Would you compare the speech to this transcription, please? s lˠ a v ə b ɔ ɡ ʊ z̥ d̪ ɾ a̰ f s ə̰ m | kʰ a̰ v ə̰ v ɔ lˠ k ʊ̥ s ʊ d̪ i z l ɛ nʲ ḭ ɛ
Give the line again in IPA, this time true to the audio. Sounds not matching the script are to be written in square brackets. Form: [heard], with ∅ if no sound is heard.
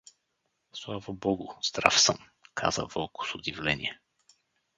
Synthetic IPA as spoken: s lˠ a v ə b ɔ ɡ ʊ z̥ d̪ ɾ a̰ f s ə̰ m | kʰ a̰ [z] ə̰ v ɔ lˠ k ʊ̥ s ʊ d̪ i [v] l ɛ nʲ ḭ ɛ